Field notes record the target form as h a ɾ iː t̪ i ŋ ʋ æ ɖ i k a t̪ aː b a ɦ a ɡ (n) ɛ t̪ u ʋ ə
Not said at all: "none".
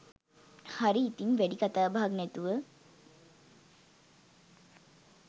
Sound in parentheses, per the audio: n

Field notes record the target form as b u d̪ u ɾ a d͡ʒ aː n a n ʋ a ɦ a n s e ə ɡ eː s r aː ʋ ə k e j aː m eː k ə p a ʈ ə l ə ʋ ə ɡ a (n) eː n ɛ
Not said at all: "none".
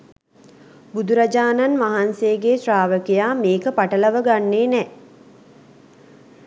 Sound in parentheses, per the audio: nː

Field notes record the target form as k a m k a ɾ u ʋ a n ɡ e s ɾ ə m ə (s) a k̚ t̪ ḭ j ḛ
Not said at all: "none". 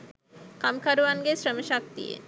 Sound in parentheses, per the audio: ʃ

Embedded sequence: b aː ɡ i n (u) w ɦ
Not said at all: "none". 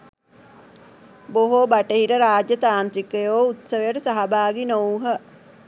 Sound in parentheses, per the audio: o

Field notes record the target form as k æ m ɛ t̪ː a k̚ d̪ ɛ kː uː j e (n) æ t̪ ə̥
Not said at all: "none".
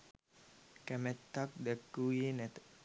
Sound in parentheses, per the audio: n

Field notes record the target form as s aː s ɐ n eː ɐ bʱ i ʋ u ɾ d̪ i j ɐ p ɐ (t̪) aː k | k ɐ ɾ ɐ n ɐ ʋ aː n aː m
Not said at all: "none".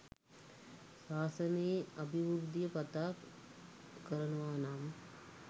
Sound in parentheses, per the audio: t̪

